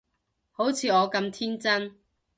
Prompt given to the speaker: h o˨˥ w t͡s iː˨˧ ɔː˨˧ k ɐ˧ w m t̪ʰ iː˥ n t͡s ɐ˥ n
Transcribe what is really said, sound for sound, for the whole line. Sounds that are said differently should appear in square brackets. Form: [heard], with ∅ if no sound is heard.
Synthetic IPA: h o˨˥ w [t͡sʰ] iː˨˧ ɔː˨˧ k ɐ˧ [∅] m t̪ʰ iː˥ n t͡s ɐ˥ n